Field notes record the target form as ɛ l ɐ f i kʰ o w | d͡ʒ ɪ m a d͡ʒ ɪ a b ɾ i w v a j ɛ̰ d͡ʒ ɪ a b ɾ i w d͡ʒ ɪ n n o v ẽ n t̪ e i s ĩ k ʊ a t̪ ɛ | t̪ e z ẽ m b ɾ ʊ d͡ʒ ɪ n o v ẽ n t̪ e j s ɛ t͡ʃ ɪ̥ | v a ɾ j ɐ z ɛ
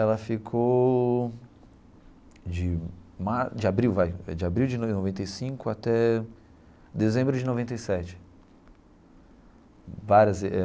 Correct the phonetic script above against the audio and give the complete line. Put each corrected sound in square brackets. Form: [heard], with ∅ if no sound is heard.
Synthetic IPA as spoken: ɛ l ɐ f i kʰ o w | d͡ʒ ɪ m a d͡ʒ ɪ a b ɾ i w v a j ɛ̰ d͡ʒ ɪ a b ɾ i w d͡ʒ ɪ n n o v ẽ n t̪ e [j] s ĩ k ʊ a t̪ ɛ | [d̪] e z ẽ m b ɾ ʊ d͡ʒ ɪ n o v ẽ n t̪ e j s ɛ t͡ʃ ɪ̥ | v a ɾ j ɐ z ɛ